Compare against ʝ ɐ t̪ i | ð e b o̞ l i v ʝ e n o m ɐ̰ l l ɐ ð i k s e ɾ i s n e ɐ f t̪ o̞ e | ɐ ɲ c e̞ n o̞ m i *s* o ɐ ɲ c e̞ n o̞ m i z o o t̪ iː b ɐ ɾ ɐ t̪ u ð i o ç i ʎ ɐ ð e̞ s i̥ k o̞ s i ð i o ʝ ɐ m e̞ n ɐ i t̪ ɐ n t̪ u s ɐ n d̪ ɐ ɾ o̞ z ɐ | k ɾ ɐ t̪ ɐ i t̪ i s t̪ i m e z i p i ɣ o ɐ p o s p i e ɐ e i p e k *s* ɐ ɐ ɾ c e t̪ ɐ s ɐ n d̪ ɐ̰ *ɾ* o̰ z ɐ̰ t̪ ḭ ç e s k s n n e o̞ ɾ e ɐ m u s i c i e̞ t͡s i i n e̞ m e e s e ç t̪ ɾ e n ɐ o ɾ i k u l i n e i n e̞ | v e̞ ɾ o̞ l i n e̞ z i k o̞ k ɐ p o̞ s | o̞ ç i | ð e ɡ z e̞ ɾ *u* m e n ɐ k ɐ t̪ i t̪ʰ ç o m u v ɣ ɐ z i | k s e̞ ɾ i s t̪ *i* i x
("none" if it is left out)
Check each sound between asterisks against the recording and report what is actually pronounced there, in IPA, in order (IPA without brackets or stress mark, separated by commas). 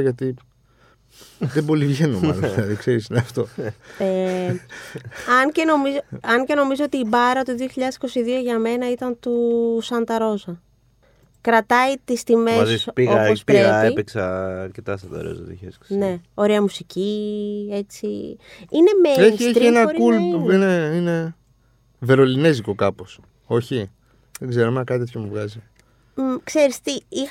z, s, ɾ, o, i